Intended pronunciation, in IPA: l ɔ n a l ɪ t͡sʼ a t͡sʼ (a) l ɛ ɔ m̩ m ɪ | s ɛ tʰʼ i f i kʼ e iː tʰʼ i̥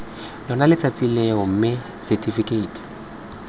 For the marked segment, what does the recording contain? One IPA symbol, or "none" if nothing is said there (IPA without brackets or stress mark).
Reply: i